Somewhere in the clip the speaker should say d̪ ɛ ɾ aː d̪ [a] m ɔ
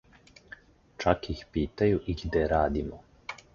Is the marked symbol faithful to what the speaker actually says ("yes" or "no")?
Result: no